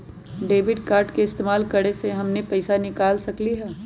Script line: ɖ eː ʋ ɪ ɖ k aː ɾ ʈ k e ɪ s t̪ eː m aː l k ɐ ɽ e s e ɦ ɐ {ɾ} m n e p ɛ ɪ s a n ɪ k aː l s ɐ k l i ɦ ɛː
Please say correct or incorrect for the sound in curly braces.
incorrect